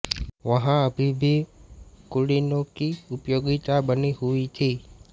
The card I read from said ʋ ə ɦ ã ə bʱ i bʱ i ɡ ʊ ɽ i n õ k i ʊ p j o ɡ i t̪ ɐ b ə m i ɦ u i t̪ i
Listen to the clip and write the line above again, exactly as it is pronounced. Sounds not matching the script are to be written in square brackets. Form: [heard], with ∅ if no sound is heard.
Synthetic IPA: ʋ ə ɦ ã ə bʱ i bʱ i [k] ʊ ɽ i n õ k i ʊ p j o ɡ i t̪ [a] b ə [n] i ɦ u i [t̪ʰ] i